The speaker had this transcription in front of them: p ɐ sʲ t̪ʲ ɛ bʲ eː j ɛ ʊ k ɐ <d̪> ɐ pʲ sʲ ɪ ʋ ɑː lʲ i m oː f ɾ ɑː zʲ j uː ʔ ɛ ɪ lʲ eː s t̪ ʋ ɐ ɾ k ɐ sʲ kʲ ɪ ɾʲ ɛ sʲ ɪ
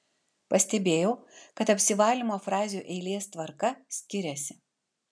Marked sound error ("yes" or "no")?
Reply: yes